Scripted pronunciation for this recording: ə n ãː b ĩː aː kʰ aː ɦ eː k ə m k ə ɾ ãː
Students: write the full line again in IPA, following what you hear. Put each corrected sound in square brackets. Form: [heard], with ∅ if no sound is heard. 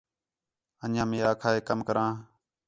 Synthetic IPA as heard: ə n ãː [m] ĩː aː kʰ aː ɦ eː k ə m k ə ɾ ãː

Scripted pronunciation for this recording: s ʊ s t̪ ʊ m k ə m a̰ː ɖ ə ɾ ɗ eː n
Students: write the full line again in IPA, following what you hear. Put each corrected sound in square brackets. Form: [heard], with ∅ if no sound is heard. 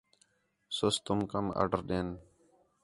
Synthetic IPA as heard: s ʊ s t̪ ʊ m k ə m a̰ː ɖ ə ɾ ɗ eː n

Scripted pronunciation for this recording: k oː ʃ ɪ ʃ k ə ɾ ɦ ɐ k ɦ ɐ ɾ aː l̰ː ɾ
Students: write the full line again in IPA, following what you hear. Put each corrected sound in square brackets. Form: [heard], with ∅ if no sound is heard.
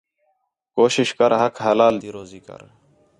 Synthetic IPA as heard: k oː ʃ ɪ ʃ k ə ɾ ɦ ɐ k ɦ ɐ [l] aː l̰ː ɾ

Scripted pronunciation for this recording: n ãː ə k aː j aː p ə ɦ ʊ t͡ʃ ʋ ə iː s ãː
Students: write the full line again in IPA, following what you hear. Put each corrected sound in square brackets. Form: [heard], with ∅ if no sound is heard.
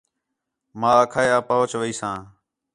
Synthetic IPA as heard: [m] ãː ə [kʰ] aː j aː p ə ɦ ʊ t͡ʃ ʋ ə iː s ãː

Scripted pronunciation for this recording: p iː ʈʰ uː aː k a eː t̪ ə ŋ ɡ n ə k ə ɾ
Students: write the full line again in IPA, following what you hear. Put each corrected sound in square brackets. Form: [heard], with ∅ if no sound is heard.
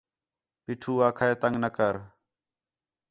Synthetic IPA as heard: p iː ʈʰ uː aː [kʰ] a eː t̪ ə ŋ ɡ n ə k ə ɾ

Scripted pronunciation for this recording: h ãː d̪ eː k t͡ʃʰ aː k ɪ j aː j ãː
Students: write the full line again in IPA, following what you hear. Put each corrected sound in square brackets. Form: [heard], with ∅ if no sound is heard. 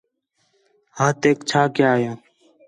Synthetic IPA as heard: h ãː [t̪] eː k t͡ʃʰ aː k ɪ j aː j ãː

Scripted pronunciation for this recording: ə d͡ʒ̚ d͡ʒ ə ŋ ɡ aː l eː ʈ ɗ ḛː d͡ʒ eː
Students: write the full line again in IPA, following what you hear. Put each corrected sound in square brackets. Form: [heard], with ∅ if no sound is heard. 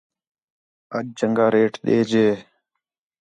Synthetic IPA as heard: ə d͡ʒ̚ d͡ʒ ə ŋ ɡ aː [ɾ] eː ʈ ɗ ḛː d͡ʒ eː

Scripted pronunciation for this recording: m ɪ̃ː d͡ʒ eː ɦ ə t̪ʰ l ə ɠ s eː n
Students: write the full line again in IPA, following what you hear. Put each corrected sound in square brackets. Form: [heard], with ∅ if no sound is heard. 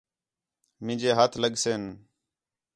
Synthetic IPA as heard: m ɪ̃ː d͡ʒ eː ɦ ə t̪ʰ l ə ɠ s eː n

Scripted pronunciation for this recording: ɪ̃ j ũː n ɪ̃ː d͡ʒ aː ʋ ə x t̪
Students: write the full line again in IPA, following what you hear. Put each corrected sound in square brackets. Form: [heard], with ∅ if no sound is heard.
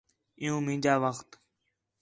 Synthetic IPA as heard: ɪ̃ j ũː [m] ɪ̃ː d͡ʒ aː ʋ ə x t̪

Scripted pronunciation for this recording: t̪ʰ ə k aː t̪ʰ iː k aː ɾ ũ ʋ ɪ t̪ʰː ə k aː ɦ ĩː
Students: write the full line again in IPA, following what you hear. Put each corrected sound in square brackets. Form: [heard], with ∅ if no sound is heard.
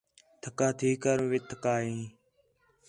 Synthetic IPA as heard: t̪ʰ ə k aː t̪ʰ iː k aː ɾ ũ ʋ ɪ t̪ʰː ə k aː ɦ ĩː

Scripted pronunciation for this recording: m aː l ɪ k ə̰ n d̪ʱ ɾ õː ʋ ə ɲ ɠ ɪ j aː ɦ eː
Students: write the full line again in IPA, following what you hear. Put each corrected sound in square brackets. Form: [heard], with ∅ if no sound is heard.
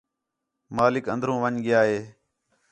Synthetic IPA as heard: m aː l ɪ k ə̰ n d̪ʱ ɾ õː ʋ ə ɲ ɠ ɪ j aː ɦ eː

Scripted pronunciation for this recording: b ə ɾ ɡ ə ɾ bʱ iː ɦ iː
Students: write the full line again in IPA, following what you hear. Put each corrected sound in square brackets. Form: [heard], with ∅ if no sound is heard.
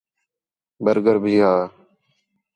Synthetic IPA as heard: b ə ɾ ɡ ə ɾ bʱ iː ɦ [aː]

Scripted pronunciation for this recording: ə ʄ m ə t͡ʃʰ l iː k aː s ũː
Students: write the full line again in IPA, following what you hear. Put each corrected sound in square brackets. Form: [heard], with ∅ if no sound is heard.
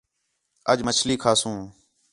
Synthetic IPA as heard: ə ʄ m ə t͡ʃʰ l iː [kʰ] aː s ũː

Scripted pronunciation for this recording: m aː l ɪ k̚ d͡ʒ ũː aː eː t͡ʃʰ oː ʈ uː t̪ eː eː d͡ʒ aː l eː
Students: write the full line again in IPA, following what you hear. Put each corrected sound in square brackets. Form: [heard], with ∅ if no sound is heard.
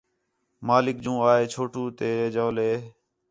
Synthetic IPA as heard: m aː l ɪ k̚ d͡ʒ ũː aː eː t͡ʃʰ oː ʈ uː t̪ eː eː d͡ʒ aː l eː

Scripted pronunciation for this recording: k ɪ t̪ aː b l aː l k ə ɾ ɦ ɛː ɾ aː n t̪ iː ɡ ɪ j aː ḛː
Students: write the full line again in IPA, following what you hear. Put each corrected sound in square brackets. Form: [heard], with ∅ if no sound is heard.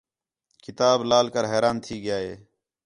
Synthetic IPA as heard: k ɪ t̪ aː b l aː l k ə ɾ ɦ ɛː ɾ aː n [t̪ʰ] iː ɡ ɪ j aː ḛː

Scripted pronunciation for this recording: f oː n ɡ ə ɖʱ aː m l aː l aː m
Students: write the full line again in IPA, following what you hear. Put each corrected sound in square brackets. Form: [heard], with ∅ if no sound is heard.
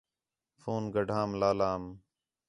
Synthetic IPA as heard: f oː n ɡ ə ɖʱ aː m l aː l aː m

